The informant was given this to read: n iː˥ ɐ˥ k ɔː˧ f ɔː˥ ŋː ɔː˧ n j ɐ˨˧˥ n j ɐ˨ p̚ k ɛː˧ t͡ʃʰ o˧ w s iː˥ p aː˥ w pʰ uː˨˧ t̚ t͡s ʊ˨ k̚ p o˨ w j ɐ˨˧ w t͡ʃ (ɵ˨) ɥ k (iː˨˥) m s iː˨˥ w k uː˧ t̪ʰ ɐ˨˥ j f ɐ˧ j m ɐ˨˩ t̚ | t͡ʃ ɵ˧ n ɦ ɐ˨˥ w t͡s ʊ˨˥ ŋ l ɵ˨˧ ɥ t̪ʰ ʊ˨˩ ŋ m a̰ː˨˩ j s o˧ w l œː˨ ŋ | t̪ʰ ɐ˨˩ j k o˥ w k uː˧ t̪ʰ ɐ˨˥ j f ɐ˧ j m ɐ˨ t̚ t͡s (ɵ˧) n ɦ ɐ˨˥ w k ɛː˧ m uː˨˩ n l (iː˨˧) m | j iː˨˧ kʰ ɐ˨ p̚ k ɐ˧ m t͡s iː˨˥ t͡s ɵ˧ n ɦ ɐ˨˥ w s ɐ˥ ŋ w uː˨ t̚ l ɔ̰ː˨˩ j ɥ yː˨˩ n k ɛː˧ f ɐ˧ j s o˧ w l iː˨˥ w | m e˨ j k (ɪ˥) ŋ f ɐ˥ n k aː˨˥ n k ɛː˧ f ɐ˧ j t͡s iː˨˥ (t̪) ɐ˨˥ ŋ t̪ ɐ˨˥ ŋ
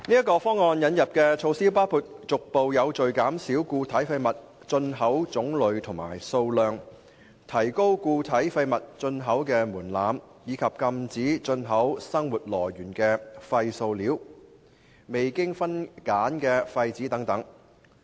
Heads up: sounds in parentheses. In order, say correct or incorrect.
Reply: correct, incorrect: aː˨˥, correct, incorrect: aː˨˧, correct, correct

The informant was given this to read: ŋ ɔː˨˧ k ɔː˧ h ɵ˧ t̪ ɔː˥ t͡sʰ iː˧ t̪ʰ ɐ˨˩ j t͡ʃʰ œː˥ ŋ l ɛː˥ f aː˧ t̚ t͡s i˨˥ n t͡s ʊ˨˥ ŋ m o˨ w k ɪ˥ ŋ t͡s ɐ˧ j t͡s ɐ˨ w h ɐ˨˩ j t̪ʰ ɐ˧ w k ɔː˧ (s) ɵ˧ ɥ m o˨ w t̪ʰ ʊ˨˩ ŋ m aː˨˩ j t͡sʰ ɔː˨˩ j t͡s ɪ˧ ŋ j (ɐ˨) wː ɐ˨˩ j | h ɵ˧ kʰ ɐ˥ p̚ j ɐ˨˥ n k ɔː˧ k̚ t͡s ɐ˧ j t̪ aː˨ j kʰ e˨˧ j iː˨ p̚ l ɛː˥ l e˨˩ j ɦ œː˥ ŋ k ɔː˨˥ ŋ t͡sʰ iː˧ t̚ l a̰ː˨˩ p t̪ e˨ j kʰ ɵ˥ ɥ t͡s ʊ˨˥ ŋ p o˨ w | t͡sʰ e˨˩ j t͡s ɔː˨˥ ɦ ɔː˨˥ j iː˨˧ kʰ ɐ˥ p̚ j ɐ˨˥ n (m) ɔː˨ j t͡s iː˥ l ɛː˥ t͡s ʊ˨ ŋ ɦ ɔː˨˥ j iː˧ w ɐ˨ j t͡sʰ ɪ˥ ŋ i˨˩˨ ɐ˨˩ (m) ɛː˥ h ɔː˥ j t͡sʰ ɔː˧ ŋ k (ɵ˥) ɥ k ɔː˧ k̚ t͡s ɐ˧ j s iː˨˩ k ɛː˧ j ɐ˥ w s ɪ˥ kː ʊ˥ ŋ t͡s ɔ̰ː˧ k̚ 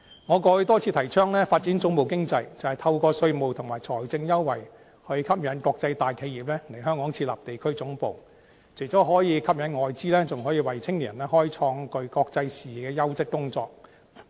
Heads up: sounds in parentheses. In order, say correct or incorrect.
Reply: correct, incorrect: ɐ˥, incorrect: ŋ, incorrect: n, incorrect: ɵ˧

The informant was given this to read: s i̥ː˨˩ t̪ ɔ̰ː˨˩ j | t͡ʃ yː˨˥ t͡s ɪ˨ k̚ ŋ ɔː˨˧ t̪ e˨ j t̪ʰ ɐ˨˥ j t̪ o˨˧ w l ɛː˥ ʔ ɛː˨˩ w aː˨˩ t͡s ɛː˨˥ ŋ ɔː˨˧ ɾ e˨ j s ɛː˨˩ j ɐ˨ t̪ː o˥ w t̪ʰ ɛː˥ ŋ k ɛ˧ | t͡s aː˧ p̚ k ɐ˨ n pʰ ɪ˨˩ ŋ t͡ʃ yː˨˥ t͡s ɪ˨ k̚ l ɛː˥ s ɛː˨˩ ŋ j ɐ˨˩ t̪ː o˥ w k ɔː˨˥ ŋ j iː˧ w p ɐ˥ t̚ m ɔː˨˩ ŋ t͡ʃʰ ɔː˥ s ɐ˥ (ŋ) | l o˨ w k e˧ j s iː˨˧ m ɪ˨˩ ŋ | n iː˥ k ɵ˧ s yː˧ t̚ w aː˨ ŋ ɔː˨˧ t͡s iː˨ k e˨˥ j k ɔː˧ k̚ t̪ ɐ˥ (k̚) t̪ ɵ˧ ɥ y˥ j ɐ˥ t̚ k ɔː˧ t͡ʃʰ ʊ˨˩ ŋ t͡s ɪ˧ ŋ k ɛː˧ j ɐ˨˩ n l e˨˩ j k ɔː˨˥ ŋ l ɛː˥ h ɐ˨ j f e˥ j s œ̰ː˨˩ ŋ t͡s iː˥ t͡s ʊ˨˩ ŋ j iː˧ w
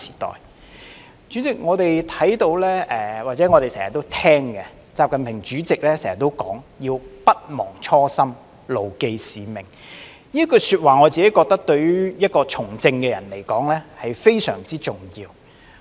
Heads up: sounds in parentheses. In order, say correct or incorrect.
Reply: incorrect: m, correct

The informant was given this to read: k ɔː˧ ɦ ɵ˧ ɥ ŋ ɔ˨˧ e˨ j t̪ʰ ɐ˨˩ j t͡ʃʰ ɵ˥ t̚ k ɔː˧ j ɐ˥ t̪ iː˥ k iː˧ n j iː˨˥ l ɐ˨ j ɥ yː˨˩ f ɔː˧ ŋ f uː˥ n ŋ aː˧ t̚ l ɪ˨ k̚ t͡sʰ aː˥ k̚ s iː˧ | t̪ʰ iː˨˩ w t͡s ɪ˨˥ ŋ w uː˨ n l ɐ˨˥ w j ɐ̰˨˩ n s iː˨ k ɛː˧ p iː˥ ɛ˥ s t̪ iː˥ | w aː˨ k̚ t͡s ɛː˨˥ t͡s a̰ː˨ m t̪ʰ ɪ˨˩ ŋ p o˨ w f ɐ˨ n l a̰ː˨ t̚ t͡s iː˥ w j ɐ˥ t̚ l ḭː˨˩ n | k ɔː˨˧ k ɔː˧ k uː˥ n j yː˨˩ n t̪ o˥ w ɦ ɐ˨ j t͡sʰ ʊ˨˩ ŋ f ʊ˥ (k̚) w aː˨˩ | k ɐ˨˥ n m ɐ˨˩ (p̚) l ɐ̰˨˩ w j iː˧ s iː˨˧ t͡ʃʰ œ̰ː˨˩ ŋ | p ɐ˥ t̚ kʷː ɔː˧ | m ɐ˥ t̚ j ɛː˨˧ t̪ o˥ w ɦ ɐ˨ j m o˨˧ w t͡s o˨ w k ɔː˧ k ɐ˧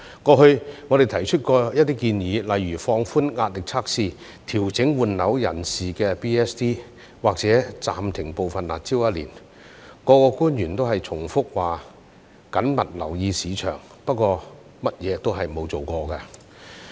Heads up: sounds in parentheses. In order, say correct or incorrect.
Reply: correct, incorrect: t̚

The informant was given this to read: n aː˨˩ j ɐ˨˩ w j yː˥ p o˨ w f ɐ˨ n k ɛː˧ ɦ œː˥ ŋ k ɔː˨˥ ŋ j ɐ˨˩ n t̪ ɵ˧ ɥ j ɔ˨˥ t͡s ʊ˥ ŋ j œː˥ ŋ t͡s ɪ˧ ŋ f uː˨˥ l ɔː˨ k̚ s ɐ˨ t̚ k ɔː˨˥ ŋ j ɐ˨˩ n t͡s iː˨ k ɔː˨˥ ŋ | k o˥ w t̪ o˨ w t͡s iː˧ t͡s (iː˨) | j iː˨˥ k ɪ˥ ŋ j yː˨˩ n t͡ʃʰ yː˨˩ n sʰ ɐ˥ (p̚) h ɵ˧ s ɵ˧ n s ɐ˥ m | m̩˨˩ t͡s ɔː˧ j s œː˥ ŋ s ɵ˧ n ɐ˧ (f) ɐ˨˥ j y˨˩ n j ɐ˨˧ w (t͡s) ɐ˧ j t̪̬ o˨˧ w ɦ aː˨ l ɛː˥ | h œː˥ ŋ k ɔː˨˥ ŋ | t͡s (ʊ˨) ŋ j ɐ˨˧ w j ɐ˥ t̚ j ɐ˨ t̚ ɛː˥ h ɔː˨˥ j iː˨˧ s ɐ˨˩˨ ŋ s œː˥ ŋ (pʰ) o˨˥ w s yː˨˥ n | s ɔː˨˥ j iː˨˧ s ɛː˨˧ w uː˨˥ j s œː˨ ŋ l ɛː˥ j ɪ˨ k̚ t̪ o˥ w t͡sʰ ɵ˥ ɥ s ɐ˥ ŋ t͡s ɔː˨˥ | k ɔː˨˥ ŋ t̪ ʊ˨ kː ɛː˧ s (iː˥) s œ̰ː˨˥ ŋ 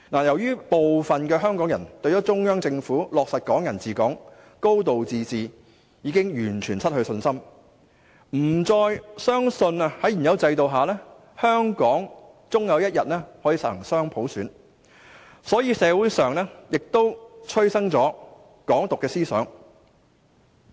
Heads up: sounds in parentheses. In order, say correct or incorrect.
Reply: correct, incorrect: t̚, incorrect: h, correct, incorrect: ʊ˥, correct, correct

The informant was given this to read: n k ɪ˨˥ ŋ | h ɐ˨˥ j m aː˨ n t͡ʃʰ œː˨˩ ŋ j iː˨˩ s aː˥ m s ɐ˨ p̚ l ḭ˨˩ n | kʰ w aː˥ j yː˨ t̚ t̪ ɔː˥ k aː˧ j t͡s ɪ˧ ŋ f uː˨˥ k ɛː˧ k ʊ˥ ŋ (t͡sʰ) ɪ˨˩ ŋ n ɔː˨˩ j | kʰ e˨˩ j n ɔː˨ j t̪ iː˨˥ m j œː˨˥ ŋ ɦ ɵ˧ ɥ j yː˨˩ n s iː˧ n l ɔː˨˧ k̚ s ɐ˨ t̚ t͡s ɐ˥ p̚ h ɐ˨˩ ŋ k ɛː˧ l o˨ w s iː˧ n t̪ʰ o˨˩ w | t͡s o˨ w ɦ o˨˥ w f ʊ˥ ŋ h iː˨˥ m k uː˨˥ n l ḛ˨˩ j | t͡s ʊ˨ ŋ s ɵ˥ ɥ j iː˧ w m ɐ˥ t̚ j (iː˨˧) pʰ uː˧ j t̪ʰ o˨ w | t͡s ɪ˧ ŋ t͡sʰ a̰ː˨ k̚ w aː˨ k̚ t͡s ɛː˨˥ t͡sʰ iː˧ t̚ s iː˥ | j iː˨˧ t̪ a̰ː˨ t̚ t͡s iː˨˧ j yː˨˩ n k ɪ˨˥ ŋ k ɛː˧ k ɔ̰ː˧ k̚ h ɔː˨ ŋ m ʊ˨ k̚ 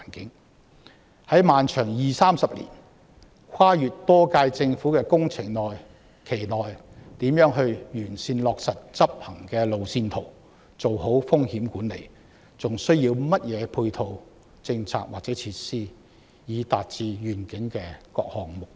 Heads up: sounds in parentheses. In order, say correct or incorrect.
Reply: correct, incorrect: ɛː˨˧

